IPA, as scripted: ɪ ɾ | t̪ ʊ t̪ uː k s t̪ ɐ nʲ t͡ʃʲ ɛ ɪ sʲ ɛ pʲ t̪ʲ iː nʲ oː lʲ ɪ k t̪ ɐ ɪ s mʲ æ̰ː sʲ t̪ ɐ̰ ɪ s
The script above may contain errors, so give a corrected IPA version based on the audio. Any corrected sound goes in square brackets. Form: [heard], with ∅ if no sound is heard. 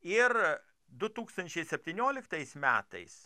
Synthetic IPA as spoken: ɪ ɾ | [d̪] ʊ t̪ uː k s t̪ ɐ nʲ t͡ʃʲ ɛ ɪ sʲ ɛ pʲ t̪ʲ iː nʲ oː lʲ ɪ k t̪ ɐ ɪ s mʲ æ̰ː [∅] t̪ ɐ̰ ɪ s